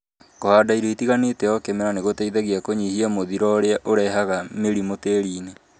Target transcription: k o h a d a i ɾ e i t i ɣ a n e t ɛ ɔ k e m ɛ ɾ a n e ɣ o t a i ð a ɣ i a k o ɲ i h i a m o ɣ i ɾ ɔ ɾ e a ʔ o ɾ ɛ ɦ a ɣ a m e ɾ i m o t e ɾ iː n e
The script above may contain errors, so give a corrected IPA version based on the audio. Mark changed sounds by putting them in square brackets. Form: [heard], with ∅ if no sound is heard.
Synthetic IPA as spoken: k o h a d a i ɾ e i t i ɣ a n e t ɛ ɔ k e m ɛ ɾ a n e ɣ o t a i ð a ɣ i a k o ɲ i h i a m o [ð] i ɾ ɔ ɾ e a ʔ o ɾ ɛ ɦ a ɣ a m e ɾ i m o t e ɾ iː n e